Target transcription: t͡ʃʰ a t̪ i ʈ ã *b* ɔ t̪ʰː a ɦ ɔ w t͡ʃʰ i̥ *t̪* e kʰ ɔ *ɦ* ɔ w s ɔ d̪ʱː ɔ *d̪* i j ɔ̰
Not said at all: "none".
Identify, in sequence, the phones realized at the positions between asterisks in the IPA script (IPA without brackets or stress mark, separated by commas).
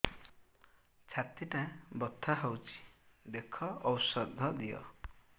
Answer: b, d̪, none, d̪